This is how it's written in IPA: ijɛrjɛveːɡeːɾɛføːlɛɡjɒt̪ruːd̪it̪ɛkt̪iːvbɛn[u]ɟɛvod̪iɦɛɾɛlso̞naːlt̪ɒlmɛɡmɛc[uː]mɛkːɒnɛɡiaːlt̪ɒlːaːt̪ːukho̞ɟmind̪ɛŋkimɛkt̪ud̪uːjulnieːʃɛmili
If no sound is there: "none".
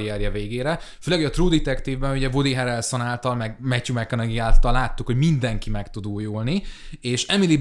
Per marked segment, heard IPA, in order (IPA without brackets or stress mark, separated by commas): u, u